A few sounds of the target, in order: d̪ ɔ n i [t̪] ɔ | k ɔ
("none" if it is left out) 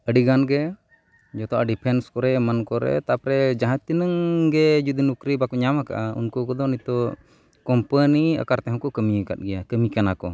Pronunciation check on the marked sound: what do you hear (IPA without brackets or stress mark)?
t̪